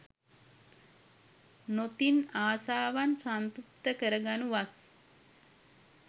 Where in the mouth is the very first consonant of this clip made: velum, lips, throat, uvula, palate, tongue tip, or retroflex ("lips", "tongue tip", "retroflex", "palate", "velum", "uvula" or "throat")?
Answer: tongue tip